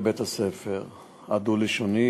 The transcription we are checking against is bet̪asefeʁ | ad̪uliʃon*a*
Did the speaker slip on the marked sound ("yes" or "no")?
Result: yes